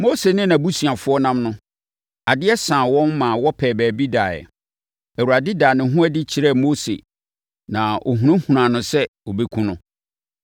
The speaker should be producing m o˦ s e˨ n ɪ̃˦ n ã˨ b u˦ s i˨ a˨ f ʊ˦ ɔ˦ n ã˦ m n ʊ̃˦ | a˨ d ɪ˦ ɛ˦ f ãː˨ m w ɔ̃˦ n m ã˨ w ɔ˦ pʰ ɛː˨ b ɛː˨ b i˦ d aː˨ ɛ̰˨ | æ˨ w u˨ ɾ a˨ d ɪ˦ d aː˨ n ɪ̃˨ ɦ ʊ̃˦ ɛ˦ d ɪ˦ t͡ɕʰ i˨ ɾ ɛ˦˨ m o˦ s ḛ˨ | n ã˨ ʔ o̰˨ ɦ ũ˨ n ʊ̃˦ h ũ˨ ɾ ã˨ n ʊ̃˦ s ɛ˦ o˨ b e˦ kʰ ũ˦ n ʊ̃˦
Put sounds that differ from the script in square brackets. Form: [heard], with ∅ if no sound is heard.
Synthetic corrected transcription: m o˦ s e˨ n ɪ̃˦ n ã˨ b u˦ s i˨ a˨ f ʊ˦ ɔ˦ n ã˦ m n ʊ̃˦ | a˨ d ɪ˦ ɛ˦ [s] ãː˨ [∅] w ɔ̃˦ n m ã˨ w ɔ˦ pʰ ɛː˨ b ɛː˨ b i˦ d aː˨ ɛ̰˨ | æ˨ w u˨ ɾ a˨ d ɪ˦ d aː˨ n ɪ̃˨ ɦ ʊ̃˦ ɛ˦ d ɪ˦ t͡ɕʰ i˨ ɾ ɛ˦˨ m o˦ s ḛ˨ | n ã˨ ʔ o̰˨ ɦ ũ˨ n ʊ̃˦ h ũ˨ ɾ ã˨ n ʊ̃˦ s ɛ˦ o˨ b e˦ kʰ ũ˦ n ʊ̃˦

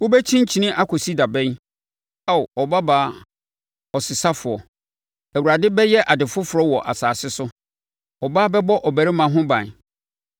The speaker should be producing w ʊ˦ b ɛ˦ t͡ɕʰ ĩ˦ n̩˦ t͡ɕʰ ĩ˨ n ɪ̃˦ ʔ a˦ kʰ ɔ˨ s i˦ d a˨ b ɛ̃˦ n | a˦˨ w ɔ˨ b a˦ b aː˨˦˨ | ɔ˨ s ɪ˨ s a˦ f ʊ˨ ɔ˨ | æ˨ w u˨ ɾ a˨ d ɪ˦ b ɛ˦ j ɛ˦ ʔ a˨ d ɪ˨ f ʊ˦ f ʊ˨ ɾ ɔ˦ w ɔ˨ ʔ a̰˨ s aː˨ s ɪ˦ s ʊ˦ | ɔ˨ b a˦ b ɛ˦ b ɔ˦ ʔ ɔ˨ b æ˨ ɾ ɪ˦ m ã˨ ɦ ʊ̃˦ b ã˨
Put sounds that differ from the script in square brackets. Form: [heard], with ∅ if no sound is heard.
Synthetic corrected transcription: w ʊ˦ b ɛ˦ t͡ɕʰ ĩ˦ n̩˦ t͡ɕʰ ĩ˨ n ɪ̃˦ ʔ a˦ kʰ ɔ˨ s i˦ d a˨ b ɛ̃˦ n | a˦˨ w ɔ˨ b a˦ b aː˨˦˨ | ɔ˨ s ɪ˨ s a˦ f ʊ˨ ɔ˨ | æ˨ w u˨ ɾ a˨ d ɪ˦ b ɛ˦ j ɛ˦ ʔ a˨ d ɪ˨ f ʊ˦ f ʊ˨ ɾ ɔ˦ w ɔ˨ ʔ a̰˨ s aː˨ s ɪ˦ s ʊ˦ | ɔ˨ b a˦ b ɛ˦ b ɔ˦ ʔ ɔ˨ b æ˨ ɾ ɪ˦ m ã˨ ɦ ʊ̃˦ b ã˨

